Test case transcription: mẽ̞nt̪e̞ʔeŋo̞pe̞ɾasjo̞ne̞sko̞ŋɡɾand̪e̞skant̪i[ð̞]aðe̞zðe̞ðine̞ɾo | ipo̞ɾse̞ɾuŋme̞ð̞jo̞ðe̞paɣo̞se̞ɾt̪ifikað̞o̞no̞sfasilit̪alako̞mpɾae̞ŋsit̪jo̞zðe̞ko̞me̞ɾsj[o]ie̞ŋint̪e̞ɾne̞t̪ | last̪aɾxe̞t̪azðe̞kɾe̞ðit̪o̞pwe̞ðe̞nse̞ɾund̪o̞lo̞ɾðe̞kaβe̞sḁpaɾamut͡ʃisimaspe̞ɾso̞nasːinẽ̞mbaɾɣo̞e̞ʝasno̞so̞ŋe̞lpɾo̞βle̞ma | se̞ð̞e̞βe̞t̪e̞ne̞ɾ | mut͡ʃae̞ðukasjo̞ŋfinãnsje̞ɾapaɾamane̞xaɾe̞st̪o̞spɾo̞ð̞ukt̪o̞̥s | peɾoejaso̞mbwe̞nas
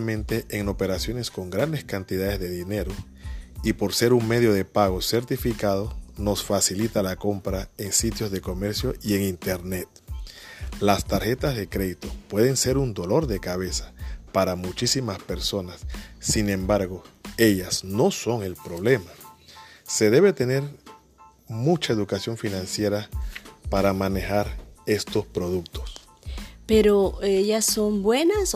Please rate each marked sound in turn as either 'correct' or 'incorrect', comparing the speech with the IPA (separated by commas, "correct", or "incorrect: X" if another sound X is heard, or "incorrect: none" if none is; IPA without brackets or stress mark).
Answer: correct, correct